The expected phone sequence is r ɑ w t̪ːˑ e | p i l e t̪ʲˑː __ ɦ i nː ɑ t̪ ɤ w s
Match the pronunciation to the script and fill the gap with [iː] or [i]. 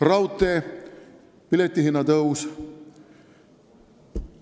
i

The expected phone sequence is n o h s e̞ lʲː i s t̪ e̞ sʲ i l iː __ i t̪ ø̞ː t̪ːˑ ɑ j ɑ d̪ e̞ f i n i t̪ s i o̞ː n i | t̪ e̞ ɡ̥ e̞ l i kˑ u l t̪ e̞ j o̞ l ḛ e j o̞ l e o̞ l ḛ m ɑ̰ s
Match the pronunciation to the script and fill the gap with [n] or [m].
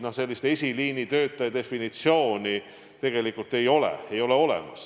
n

